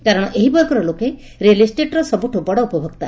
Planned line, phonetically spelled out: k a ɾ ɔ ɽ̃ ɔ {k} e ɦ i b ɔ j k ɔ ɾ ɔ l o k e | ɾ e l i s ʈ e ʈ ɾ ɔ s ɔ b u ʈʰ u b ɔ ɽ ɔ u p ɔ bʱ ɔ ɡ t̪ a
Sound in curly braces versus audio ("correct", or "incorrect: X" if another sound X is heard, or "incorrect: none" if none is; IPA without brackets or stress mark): incorrect: ʔ